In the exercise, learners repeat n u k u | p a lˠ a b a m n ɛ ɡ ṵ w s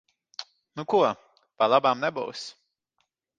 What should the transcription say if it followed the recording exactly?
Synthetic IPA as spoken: n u k u | p a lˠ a b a m n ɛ b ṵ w s